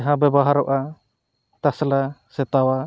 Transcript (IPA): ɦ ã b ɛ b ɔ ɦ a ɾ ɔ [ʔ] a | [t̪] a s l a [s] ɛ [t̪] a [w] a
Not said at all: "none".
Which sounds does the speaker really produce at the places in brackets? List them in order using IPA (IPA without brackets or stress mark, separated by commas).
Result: ʔ, t̪, s, t̪, w